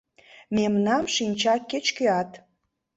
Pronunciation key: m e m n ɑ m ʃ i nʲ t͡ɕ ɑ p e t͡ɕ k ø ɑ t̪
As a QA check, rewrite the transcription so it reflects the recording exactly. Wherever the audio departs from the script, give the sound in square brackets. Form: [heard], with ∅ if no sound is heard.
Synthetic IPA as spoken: m e m n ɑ m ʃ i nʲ t͡ɕ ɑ [k] e t͡ɕ k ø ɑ t̪

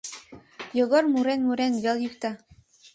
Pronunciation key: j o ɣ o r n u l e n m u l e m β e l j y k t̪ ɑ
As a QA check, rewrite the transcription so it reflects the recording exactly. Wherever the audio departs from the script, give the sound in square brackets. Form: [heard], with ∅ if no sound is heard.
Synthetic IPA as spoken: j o ɣ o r [m] u [ɾ] e n m u [ɾ] e [n] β e l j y k t̪ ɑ

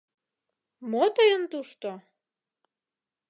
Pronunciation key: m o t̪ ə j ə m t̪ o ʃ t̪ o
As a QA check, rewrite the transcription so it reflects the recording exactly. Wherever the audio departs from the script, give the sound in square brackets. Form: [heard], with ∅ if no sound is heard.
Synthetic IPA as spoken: m o t̪ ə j ə [n] t̪ [u] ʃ t̪ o

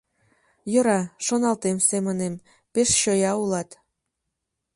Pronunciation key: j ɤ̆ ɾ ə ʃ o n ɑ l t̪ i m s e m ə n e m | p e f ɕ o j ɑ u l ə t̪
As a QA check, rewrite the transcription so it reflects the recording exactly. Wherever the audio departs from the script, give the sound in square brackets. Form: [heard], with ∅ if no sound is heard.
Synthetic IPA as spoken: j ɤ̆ ɾ [ɑ] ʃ o n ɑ l t̪ [e] m s e m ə n e m | p e [ʃ] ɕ o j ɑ u l [ɑ] t̪

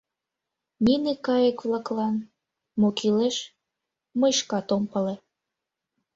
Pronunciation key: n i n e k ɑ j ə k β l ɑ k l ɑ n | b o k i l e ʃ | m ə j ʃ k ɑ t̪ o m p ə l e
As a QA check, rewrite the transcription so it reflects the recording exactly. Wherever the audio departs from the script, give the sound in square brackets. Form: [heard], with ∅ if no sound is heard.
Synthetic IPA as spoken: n i n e k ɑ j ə k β l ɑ k l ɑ n | [m] o k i l e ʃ | m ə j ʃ k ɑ t̪ o m p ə l e

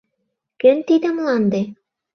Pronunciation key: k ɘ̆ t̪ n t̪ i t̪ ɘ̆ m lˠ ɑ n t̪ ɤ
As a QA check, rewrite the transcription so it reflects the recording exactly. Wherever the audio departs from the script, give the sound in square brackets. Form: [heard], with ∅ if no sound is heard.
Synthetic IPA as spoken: k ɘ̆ [∅] n t̪ i [d̪] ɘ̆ m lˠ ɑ n [d̪] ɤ

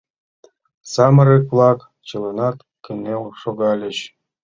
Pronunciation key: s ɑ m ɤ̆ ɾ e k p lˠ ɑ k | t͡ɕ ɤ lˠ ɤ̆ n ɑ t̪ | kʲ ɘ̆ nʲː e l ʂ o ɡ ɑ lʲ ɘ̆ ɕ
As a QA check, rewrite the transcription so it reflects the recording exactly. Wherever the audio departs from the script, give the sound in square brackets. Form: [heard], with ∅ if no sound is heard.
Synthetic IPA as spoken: s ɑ m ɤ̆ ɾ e k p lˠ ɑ k | t͡ɕ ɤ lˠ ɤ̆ n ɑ t̪ | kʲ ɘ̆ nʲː e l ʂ o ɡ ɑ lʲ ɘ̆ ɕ

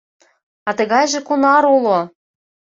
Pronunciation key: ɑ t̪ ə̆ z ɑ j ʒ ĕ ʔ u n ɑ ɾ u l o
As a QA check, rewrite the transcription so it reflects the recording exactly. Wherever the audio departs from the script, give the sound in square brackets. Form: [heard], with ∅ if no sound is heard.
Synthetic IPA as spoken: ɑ t̪ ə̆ [ɣ] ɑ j ʒ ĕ [k] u n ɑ ɾ u l o

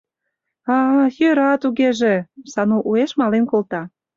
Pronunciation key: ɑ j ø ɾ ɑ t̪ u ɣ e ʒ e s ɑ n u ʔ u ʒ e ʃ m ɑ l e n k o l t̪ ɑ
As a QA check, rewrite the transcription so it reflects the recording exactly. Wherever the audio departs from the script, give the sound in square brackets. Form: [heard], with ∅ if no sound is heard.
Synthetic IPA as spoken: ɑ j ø ɾ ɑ t̪ u ɣ e ʒ e s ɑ n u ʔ u [∅] e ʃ m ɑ l e n k o l t̪ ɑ

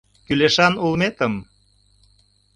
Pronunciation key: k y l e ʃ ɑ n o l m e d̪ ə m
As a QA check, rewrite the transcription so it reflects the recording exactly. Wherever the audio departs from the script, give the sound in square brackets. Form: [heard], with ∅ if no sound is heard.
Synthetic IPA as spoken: k y l e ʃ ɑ n [u] l m e [t̪] ə m

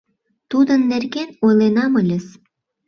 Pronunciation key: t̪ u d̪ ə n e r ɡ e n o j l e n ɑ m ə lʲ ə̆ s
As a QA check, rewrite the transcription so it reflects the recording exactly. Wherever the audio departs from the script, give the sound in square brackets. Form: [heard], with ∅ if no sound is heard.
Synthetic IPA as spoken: t̪ u d̪ ə [nː] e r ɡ e n o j l e n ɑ m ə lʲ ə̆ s

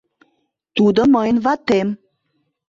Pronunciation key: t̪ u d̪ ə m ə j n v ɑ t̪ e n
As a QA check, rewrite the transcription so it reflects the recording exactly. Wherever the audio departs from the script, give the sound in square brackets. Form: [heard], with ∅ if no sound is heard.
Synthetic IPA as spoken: t̪ u d̪ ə m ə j n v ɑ t̪ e [m]

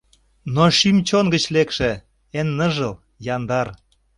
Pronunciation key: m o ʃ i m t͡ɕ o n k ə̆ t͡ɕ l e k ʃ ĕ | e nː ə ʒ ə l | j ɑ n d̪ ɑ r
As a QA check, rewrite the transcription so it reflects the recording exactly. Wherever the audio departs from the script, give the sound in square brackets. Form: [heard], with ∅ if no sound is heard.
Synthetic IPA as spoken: [n] o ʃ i m t͡ɕ o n [ɡ] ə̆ t͡ɕ l e k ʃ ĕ | e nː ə ʒ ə l | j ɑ n d̪ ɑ r

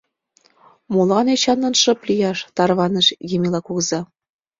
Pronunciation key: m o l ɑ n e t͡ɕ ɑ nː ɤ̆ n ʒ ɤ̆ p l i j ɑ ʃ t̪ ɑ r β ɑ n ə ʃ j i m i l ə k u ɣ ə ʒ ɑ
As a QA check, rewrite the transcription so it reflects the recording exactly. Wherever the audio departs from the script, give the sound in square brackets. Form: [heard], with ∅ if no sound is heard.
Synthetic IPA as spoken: m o l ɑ n e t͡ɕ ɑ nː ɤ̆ n [ʃ] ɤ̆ p l i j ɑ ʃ t̪ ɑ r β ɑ n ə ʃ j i m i l [ɑ] k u ɣ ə [z] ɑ

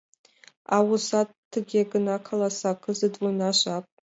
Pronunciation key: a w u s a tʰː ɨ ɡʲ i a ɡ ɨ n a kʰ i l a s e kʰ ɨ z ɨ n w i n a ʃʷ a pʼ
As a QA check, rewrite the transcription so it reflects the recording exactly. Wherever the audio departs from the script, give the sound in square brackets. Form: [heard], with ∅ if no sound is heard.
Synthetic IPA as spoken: a w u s a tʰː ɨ ɡʲ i a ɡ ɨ n a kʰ [a] l a s [a] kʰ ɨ z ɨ [d] w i n a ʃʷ a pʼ

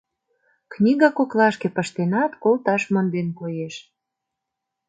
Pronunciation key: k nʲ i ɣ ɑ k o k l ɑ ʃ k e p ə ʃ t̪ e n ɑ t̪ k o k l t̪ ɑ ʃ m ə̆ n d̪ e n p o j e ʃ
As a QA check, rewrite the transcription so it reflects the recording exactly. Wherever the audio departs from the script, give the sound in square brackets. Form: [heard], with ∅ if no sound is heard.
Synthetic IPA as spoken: k nʲ i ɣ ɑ k o k l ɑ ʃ k e p ə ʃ t̪ e n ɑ t̪ k o [∅] l t̪ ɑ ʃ m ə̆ n d̪ e n [k] o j e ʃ

